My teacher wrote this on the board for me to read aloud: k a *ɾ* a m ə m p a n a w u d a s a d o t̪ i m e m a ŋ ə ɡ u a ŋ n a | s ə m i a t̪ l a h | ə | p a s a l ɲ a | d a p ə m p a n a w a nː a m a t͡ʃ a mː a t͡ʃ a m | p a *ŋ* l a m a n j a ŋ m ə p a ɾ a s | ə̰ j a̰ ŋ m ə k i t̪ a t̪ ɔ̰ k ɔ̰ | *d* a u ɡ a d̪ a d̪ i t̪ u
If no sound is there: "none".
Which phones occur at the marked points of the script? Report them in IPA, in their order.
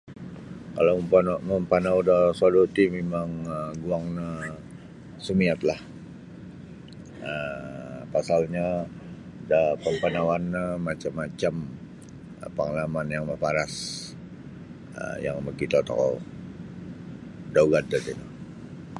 l, ŋ, d

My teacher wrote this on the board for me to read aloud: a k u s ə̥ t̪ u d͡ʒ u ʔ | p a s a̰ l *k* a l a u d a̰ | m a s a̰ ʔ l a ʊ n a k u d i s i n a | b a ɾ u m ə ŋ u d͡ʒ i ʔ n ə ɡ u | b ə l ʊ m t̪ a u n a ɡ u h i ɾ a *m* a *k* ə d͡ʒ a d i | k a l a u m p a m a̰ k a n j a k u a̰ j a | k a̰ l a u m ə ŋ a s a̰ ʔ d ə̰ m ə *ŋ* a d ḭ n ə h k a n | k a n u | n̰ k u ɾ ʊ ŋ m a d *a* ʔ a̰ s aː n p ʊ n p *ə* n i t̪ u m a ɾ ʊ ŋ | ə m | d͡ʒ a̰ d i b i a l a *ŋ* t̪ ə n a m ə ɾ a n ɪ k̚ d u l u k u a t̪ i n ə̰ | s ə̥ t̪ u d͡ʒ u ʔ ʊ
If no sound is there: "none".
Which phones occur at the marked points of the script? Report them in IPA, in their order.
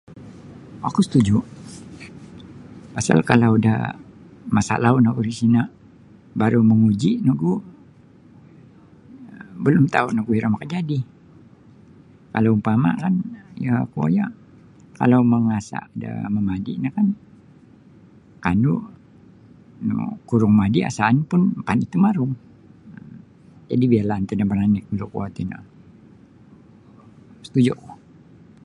k, m, k, m, i, a, n

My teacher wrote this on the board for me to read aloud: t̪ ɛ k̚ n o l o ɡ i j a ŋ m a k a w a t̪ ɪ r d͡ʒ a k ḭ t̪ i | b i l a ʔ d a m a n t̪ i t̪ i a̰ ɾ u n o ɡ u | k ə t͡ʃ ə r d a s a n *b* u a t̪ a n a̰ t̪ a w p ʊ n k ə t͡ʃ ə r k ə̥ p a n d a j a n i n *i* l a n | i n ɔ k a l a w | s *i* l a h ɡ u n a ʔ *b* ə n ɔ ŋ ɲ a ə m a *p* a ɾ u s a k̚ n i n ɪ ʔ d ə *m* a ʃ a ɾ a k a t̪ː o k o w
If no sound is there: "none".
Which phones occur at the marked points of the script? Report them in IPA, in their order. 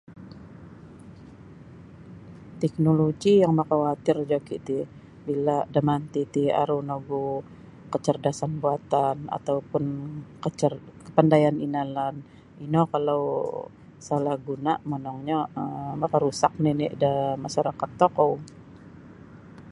b, a, a, m, k, m

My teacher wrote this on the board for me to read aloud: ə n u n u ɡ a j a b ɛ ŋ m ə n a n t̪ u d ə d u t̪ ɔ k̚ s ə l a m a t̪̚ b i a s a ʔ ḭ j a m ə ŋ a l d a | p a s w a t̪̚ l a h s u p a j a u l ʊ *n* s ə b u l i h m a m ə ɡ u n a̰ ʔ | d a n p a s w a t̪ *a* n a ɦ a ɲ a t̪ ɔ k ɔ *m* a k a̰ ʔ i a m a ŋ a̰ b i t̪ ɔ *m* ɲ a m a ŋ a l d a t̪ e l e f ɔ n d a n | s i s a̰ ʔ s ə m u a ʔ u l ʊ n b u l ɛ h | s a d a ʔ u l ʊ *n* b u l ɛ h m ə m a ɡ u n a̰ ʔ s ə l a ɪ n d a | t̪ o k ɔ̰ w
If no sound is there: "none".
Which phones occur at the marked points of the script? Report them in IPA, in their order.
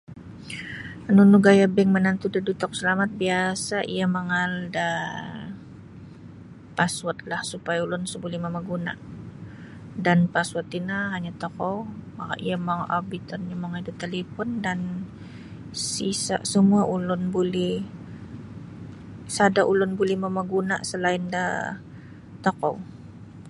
n, i, m, n, n

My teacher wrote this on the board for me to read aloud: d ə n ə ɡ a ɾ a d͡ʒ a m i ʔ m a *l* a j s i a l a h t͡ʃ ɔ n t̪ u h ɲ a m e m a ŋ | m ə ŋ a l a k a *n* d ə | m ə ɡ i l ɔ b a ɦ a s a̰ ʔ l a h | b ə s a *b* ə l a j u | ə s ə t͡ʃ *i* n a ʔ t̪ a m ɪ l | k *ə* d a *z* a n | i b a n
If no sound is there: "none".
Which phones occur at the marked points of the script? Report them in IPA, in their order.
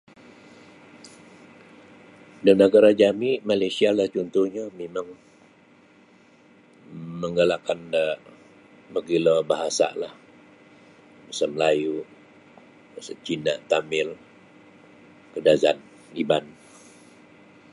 l, n, m, i, ə, z

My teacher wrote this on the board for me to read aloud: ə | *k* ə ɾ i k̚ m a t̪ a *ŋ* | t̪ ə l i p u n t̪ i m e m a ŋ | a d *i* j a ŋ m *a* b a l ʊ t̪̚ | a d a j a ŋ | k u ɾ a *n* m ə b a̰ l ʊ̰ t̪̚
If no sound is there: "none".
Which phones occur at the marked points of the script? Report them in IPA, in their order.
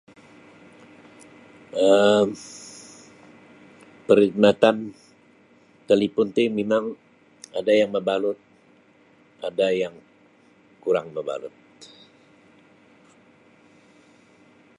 p, n, a, ə, ŋ

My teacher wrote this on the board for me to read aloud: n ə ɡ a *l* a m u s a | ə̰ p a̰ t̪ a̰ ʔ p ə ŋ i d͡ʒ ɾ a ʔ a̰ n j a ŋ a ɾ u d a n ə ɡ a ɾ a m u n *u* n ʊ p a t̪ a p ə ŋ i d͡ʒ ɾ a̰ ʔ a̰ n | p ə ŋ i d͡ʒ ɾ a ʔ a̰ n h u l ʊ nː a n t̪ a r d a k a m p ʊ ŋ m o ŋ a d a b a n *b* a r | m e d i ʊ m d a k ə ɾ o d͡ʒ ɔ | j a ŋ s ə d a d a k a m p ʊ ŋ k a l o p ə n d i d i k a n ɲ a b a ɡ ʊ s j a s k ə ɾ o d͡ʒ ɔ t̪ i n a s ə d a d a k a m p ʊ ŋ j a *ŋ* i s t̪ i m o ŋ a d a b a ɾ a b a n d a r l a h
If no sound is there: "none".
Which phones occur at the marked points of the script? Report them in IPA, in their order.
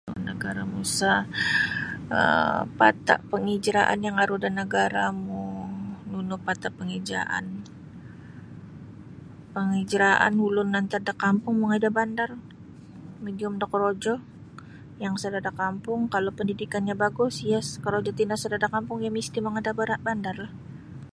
ɾ, u, d, m

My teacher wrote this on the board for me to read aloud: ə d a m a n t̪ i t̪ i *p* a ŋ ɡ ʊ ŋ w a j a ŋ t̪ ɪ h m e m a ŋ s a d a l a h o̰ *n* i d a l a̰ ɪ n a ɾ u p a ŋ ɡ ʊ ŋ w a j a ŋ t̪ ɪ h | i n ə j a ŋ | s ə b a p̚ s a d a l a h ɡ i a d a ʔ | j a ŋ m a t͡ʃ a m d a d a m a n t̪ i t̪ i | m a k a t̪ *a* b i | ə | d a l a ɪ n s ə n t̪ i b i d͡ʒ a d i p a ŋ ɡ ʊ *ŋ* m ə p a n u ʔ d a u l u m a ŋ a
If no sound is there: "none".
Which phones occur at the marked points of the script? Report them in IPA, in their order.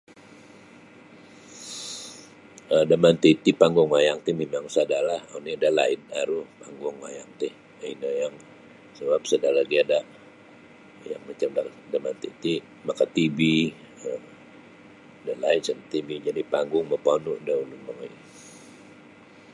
p, n, i, ŋ

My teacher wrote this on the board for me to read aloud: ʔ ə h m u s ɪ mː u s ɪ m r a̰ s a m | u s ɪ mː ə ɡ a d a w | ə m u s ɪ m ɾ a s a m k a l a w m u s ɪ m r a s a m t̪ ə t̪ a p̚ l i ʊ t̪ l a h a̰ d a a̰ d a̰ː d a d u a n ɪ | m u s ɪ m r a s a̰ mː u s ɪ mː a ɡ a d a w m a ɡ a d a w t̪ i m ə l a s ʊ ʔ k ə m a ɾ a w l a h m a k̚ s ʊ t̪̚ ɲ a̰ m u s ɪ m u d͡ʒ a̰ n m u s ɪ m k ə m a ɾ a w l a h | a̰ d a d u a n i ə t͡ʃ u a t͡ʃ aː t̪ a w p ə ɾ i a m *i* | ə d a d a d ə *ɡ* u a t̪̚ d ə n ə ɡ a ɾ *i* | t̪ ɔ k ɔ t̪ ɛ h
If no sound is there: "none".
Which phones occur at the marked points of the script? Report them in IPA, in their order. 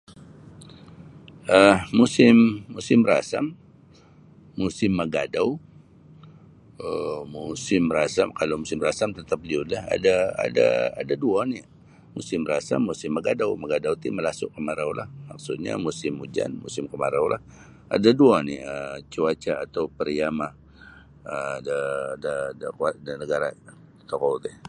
a, k, a

